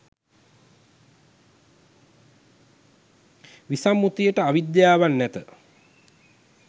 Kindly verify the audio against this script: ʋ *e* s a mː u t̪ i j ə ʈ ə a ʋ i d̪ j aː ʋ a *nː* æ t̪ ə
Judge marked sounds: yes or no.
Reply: no, yes

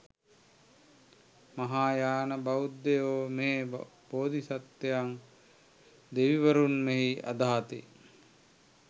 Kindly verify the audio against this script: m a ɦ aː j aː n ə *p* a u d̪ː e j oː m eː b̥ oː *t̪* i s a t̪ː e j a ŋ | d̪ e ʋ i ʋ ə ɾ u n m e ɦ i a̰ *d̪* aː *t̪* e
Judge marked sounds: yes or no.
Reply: no, no, yes, yes

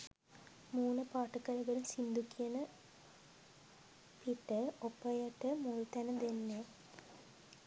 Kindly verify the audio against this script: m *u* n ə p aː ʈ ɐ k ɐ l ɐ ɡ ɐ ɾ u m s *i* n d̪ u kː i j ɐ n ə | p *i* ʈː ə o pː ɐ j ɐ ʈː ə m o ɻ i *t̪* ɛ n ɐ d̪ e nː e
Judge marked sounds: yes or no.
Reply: no, yes, yes, yes

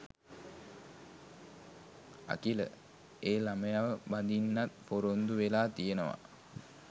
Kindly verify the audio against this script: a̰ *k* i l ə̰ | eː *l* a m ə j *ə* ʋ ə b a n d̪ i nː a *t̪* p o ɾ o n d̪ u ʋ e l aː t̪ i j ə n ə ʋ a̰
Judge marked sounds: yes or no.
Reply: yes, yes, no, yes

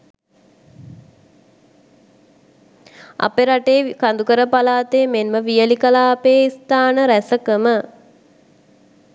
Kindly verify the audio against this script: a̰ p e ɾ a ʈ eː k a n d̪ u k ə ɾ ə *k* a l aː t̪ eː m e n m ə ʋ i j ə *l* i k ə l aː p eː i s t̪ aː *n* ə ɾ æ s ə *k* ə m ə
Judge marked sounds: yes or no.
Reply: no, yes, yes, yes

